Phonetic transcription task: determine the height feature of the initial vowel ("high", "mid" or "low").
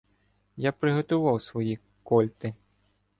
low